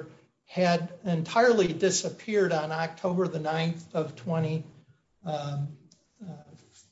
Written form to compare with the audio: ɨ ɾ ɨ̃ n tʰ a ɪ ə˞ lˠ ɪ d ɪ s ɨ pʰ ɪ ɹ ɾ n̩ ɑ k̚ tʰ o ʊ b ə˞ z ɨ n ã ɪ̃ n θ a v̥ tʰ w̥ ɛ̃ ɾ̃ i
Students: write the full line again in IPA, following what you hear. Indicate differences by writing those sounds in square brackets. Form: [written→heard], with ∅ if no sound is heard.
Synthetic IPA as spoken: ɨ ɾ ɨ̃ n tʰ a ɪ ə˞ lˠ [ɪ→i] d ɪ s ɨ pʰ ɪ ɹ ɾ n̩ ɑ k̚ tʰ o ʊ b ə˞ [z→ð] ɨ n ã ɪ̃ n θ [a→ʌ] v̥ tʰ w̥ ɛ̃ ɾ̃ i